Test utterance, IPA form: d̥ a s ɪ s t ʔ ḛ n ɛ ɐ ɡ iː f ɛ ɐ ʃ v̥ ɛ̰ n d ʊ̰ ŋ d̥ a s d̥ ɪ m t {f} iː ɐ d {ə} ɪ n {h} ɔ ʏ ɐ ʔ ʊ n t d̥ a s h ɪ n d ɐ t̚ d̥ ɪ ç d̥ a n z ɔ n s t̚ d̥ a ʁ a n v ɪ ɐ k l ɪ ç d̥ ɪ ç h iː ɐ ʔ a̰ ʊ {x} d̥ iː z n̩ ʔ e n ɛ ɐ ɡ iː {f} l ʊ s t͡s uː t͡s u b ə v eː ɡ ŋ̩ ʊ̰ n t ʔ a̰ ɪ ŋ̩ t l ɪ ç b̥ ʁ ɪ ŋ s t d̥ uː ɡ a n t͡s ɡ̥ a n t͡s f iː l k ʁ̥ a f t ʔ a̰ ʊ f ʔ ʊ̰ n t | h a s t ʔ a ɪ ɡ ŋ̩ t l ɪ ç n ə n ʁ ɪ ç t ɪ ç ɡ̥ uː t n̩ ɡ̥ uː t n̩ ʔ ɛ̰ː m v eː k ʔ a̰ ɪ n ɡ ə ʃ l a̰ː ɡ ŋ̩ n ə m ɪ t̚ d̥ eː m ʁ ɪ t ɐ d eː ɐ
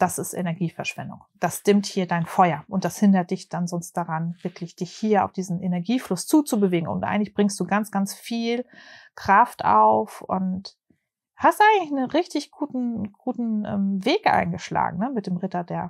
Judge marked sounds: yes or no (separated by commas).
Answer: no, no, no, no, yes